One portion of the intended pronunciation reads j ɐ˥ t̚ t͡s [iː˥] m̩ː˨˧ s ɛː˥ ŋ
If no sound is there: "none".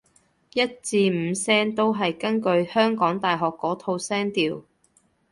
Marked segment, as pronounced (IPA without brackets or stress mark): iː˧